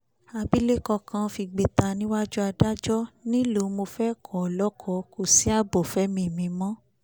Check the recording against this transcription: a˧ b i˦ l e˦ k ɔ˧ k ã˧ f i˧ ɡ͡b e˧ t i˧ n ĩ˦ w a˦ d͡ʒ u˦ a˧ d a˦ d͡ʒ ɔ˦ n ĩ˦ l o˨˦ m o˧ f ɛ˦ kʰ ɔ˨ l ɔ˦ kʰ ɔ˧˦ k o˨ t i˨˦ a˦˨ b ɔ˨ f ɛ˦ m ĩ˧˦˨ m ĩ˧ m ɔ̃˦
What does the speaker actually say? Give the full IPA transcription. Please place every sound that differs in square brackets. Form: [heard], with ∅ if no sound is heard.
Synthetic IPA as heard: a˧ b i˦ l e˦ k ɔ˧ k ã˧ f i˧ ɡ͡b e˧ t [a˧] n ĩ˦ w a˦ d͡ʒ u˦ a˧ d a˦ d͡ʒ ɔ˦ n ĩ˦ l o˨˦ m o˧ f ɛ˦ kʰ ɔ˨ l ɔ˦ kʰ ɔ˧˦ k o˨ [s] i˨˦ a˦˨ b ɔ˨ f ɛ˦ m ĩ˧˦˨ m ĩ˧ m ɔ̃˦